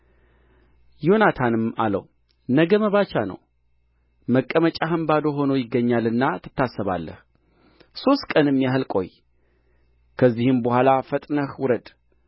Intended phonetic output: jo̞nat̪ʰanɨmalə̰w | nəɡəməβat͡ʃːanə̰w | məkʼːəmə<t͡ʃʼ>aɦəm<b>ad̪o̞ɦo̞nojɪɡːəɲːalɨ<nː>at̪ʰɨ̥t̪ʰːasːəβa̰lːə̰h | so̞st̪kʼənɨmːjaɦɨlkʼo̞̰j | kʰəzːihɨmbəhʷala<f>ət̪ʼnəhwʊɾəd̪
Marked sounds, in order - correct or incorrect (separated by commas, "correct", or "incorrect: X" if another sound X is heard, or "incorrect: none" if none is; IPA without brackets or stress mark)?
correct, correct, correct, correct